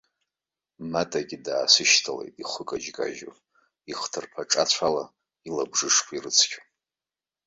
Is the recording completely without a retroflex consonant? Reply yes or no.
no